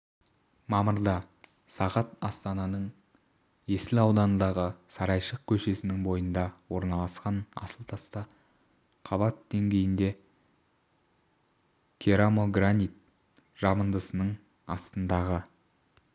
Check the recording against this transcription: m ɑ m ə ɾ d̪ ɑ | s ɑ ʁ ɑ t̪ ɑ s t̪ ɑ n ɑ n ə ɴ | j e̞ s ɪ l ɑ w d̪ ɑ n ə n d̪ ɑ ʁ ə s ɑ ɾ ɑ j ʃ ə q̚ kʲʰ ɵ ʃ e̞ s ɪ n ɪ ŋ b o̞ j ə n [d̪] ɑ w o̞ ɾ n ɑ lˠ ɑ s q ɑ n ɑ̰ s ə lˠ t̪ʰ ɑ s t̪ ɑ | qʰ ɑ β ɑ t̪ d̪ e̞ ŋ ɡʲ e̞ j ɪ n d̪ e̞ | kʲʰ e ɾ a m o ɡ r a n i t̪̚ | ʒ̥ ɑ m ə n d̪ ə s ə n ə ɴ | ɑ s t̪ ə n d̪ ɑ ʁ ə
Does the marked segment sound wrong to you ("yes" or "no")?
no